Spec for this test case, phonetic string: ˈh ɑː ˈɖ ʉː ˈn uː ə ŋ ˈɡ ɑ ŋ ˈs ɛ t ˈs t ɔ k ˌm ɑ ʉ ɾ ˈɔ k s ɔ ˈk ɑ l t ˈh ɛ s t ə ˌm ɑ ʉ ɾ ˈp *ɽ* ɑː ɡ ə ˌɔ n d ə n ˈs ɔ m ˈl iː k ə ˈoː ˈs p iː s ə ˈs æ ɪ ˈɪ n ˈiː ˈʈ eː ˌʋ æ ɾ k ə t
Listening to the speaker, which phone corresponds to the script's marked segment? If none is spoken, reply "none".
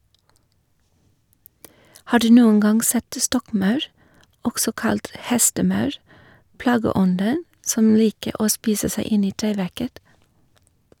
l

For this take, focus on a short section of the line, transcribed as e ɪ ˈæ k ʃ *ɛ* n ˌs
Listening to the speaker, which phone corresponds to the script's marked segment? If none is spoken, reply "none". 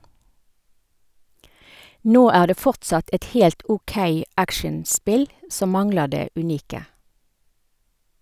ɛ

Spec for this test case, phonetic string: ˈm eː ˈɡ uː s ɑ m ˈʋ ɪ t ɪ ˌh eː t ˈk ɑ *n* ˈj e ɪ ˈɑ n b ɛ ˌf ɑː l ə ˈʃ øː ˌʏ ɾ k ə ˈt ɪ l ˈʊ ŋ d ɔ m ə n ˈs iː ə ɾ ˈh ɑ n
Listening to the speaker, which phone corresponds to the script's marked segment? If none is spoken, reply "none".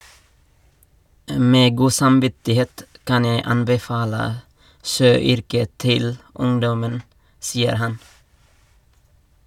n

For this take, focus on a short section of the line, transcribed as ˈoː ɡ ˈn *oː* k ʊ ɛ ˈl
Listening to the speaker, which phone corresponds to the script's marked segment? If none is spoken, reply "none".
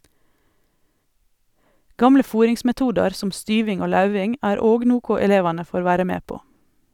uː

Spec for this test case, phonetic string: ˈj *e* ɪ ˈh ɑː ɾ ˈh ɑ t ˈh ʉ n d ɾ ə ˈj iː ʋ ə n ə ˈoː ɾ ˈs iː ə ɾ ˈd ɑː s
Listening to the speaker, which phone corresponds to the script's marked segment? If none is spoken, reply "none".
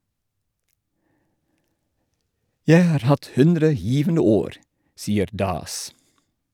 æ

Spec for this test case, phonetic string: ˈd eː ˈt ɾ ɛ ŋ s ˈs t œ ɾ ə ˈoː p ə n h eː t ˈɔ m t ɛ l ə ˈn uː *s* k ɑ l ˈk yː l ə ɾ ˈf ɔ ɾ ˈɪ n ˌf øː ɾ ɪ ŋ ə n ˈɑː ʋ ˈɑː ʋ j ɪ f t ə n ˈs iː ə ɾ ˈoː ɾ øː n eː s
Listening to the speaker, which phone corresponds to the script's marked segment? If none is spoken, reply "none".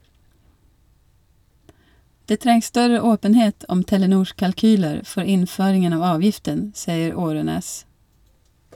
ʃ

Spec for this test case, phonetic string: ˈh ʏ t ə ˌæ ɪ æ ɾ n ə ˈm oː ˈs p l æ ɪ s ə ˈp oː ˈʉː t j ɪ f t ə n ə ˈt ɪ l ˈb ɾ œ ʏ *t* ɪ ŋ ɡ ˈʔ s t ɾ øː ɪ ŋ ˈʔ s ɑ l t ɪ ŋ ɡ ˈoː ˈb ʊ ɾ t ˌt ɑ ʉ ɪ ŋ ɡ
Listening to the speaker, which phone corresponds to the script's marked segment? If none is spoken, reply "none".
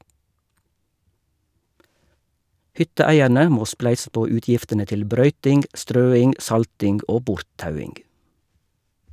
t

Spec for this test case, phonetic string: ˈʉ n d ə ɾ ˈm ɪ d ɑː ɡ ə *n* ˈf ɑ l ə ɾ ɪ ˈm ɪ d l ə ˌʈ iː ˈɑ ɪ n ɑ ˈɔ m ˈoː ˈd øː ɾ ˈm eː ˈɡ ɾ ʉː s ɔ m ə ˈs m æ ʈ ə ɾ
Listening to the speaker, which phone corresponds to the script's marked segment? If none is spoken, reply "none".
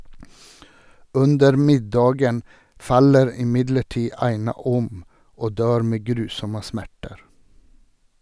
n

